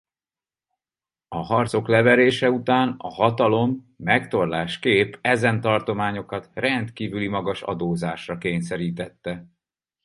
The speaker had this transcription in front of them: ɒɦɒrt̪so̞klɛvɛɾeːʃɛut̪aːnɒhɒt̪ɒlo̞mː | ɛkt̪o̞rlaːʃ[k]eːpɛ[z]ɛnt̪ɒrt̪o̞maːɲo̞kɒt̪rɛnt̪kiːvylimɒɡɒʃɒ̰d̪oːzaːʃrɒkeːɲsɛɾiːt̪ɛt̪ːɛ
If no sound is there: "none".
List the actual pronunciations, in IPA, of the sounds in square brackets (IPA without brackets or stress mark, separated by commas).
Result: k, z